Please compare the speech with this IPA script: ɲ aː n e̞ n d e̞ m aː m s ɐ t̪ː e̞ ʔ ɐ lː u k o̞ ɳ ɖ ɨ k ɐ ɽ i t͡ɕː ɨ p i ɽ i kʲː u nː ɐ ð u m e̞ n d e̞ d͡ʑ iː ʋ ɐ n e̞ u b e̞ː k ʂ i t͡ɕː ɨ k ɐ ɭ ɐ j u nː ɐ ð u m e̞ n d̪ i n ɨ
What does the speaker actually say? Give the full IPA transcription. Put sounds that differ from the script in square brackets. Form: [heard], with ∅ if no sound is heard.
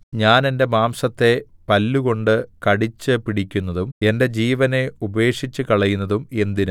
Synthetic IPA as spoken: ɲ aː n e̞ n d e̞ m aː m s ɐ t̪ː e̞ [p] ɐ lː u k o̞ ɳ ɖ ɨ k ɐ ɽ i t͡ɕː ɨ p i ɽ i kʲː u nː ɐ ð u m e̞ n d e̞ d͡ʑ iː ʋ ɐ n e̞ u b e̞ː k ʂ i t͡ɕː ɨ k ɐ ɭ ɐ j u nː ɐ ð u m e̞ n d̪ i n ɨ